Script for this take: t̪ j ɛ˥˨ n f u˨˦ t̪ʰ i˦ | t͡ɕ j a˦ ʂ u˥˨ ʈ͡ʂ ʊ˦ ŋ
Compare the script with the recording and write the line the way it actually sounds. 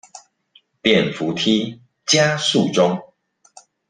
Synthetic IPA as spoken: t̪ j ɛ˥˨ n f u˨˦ t̪ʰ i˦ | t͡ɕ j a˦ s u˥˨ ʈ͡ʂ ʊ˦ ŋ